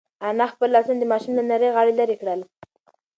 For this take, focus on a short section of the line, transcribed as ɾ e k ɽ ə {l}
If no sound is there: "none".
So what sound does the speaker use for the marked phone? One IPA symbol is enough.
l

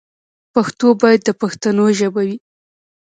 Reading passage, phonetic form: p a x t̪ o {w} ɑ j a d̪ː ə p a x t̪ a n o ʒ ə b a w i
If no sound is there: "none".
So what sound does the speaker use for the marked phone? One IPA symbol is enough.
b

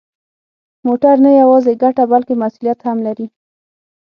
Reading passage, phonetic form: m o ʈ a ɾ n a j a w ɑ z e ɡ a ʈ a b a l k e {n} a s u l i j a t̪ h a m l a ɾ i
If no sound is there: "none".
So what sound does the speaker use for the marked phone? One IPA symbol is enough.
m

